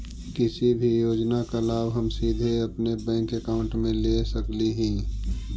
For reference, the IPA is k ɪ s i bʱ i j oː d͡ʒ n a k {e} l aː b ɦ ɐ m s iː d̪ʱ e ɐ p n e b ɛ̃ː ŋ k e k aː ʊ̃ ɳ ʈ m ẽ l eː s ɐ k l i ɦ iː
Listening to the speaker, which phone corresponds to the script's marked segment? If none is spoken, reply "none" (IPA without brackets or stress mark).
a